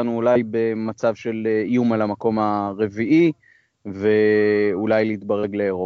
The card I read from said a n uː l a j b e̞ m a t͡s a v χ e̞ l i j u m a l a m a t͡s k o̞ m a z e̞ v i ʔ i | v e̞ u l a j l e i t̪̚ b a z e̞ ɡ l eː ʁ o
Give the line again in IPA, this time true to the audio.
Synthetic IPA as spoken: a n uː l a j b e̞ m a t͡s a v ʃ e̞ l i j u m a l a m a k o̞ m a ʁ e̞ v i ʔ i | v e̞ u l a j l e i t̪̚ b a ʁ e̞ ɡ l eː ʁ o